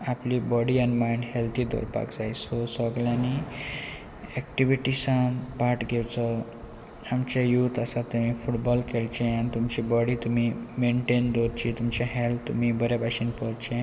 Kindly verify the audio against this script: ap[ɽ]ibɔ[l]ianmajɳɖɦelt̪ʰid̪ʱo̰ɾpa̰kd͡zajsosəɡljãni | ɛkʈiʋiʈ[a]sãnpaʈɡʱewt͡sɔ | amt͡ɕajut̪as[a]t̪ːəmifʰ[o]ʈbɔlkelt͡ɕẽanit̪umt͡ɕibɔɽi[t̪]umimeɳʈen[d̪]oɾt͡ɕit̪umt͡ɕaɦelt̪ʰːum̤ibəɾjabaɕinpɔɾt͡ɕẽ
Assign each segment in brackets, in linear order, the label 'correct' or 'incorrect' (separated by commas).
incorrect, incorrect, incorrect, correct, incorrect, correct, correct